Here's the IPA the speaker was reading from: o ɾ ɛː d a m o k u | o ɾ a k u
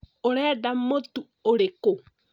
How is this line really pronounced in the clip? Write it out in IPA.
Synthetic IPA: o ɾ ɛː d a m o t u | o ɾ e k o